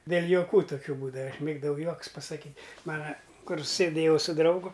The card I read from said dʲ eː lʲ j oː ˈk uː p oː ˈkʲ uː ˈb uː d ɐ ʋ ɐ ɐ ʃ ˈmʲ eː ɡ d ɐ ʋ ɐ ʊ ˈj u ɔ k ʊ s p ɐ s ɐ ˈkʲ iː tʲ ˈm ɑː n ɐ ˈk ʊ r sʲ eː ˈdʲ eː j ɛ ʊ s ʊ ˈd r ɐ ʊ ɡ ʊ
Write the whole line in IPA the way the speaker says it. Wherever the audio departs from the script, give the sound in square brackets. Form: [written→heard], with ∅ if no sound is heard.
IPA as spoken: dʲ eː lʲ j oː ˈk uː [p→t] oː ˈkʲ uː ˈb uː d ɐ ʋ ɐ ɐ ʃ ˈmʲ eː ɡ d ɐ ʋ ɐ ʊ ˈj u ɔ k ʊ s p ɐ s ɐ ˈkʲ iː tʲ ˈm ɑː n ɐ ˈk ʊ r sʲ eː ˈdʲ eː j ɛ ʊ s ʊ ˈd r ɐ ʊ ɡ ʊ